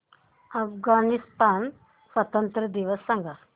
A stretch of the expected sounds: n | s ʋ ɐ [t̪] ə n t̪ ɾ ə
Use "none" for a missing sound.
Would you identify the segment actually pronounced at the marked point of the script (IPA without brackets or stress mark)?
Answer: t̪